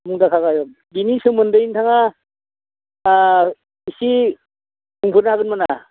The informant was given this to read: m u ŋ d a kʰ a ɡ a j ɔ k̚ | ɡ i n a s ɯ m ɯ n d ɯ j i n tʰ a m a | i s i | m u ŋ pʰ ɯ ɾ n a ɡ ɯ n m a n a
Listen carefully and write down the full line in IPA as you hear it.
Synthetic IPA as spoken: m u ŋ d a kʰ a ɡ a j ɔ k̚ | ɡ i n i s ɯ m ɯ n d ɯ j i n tʰ a ŋ a | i s i | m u ŋ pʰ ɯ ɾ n a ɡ ɯ n m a n a